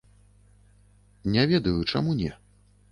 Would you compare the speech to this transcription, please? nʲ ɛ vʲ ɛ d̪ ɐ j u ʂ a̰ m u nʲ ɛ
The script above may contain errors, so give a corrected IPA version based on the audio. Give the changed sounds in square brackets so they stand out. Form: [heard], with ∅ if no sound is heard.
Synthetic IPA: nʲ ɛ vʲ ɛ d̪ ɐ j u [t͡ʂ] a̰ m u nʲ ɛ